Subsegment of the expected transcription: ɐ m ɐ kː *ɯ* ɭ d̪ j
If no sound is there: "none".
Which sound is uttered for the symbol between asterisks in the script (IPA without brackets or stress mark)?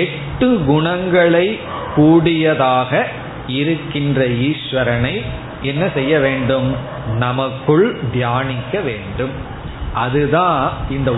ɯ